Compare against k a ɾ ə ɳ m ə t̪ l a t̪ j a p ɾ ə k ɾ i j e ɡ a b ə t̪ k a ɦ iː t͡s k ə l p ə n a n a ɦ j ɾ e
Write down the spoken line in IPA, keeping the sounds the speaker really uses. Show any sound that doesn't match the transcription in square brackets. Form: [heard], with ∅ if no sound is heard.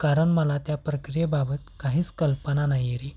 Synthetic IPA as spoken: k a ɾ ə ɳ m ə [∅] l a t̪ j a p ɾ ə k ɾ i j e [b] a b ə t̪ k a ɦ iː t͡s k ə l p ə n a n a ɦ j ɾ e